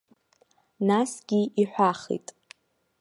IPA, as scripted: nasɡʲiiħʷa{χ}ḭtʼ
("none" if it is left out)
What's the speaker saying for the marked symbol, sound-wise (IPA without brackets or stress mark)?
χ